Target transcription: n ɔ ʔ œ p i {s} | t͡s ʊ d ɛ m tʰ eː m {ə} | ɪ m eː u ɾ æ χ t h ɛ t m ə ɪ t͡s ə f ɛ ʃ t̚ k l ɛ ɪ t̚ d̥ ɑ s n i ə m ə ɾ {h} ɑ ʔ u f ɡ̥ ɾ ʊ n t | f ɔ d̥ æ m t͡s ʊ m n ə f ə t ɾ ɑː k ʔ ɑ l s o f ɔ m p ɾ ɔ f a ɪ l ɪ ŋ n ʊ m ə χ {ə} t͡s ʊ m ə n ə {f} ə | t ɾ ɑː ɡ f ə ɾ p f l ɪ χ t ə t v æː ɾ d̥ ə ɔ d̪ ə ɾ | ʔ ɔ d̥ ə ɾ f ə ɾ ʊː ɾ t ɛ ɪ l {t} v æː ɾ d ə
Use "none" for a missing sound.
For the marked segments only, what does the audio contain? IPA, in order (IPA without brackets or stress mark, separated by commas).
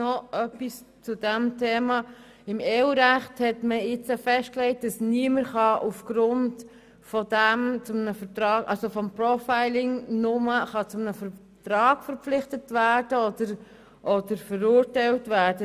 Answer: s, ɑ, χ, ɑ, f, t